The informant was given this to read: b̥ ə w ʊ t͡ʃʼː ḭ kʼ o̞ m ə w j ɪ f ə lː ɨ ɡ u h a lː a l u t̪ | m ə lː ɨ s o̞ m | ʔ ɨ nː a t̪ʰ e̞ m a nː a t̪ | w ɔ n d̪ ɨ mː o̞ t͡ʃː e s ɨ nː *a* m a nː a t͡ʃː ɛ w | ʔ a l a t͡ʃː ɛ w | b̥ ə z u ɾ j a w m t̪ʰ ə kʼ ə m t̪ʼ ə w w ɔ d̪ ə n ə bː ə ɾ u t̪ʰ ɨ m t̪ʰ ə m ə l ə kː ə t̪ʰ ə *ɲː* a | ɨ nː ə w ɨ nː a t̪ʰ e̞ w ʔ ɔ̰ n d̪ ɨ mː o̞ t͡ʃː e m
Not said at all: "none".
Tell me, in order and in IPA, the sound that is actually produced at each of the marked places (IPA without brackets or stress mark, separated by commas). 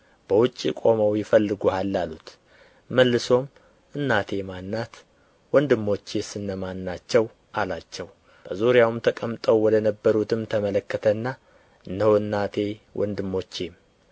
ə, nː